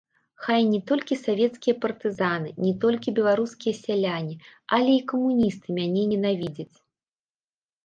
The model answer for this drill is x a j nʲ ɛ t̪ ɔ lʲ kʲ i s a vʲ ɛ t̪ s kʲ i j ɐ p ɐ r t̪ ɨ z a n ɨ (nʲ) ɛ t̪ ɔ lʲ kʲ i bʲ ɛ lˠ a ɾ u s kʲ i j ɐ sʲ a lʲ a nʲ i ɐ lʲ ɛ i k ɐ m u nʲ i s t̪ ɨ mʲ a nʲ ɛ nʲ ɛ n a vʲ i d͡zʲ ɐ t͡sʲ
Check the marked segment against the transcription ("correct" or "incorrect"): correct